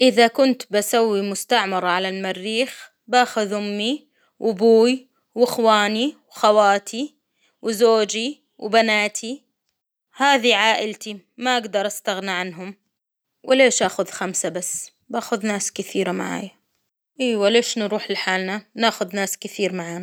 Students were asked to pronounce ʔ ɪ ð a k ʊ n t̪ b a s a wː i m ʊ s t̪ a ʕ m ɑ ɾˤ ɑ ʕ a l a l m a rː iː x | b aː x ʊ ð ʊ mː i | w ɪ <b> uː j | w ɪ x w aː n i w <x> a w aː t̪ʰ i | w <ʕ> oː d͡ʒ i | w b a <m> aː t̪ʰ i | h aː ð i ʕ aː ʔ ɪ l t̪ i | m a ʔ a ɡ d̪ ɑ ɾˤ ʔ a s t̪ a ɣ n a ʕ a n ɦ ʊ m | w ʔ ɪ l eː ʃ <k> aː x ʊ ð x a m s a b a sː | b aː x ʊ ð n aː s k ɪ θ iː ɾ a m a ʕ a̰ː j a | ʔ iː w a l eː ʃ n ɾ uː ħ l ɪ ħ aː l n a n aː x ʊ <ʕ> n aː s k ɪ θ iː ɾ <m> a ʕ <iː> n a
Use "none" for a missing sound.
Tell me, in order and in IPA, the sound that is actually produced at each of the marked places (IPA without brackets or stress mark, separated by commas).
b, x, z, n, ʔ, ð, m, aː